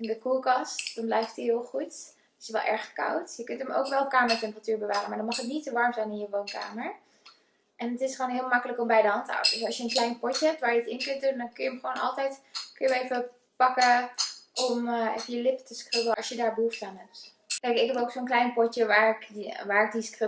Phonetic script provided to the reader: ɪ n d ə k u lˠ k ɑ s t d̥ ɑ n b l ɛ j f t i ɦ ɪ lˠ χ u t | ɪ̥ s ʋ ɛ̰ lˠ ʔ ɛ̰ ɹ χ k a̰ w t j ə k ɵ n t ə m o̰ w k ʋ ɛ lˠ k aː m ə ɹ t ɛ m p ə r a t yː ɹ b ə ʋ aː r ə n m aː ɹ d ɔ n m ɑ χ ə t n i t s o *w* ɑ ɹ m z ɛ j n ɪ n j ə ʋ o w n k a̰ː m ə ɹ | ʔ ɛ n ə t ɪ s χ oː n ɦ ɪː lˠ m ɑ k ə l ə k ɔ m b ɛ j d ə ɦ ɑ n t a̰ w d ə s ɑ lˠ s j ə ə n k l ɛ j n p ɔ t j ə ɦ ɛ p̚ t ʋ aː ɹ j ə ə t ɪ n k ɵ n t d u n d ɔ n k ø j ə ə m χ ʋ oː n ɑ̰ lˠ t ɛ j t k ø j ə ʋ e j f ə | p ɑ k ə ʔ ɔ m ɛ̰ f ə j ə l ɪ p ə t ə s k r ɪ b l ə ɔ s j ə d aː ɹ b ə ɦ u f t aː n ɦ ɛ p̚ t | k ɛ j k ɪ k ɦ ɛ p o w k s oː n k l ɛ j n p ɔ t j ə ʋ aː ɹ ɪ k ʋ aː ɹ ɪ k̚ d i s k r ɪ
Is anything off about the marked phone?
yes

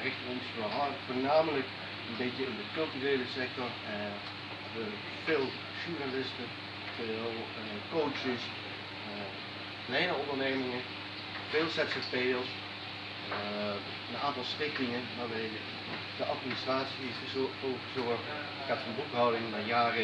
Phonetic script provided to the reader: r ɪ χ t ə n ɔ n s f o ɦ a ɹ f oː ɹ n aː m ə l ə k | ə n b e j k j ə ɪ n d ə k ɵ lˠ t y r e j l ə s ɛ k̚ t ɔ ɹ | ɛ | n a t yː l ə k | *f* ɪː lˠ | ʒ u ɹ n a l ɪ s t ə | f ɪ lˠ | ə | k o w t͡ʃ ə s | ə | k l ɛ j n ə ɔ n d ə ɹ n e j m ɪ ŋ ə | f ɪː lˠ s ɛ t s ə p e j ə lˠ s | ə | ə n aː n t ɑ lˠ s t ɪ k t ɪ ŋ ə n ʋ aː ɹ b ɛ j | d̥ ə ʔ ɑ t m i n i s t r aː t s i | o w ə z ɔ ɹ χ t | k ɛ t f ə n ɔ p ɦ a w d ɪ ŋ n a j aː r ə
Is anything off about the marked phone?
no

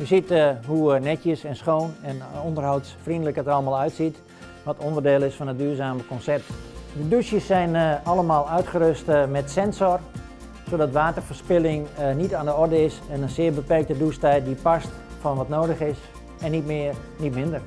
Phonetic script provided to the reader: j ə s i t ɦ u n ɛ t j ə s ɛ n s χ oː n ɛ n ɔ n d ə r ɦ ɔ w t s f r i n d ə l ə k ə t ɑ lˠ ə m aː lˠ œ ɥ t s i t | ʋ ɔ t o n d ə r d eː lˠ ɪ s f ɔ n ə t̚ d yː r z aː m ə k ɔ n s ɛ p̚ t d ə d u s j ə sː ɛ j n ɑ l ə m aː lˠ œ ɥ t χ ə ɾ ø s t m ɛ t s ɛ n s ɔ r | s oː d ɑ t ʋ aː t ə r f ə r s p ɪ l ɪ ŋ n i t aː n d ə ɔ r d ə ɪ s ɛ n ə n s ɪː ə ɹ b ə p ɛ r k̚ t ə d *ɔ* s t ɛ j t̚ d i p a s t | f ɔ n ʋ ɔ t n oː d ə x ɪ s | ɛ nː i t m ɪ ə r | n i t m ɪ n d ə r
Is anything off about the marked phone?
yes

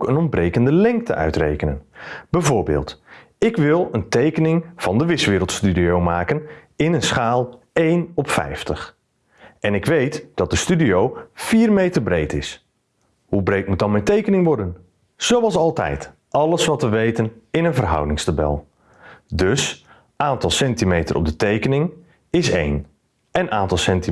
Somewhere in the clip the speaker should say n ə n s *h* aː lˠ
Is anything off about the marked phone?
yes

